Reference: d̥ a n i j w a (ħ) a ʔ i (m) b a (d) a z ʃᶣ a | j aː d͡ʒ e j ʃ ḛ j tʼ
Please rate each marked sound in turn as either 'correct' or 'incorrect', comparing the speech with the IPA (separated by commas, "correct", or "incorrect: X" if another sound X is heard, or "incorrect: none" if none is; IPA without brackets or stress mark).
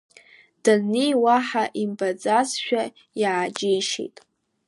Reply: correct, correct, incorrect: d͡z